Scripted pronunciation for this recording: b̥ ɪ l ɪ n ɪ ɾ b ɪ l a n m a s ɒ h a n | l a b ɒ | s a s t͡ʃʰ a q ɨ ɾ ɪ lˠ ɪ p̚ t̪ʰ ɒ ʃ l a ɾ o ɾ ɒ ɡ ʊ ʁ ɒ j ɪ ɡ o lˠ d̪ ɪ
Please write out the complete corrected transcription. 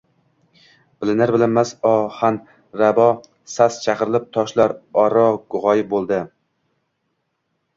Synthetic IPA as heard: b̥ ɪ l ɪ n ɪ ɾ b ɪ l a n m a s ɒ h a n | ɾ a b ɒ | s a s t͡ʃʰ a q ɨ ɾ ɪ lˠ ɪ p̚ t̪ʰ ɒ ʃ l a ɾ ɒ ɾ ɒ ɡ ʊ ʁ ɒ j ɪ b o lˠ d̪ ɪ